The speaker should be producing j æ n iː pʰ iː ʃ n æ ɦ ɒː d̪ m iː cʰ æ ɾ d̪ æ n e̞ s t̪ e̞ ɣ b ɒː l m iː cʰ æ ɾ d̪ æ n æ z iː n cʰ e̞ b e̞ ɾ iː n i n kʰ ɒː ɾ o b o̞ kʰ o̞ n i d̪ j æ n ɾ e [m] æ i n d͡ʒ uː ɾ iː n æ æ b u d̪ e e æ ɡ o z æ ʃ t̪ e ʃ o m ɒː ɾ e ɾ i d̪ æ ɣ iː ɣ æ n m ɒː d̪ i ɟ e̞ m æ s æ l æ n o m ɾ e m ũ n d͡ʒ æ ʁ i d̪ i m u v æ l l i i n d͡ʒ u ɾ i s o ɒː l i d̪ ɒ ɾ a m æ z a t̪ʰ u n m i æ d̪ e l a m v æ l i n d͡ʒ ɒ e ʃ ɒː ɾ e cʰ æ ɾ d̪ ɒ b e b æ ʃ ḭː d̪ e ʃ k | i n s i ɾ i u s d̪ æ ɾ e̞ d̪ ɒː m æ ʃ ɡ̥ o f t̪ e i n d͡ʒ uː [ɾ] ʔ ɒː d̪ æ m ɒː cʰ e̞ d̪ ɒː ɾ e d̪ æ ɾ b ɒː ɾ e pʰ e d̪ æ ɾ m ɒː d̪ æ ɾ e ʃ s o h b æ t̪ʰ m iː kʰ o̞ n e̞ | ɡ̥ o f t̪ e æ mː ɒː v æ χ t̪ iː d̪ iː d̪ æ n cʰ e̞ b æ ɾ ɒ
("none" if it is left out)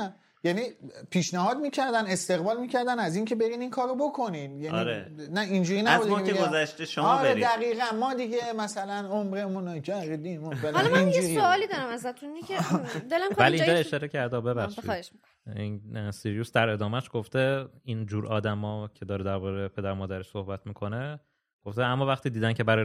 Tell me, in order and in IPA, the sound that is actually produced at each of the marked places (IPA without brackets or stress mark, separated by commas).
n, ɾ